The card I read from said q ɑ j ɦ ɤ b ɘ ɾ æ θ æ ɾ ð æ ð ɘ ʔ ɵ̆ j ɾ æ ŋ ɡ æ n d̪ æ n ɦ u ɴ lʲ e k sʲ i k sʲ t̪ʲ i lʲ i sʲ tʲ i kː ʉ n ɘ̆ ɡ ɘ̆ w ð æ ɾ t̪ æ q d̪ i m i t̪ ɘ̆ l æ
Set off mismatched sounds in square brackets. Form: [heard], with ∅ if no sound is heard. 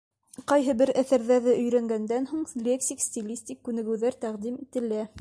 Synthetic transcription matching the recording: q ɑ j ɦ ɤ b ɘ ɾ æ θ æ ɾ ð æ ð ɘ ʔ ɵ̆ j ɾ æ ŋ ɡ æ n d̪ æ n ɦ u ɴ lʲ e k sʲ i k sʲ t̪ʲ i lʲ i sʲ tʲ i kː ʉ n ɘ̆ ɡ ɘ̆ w ð æ ɾ t̪ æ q d̪ i m i t̪ ɘ̆ l æ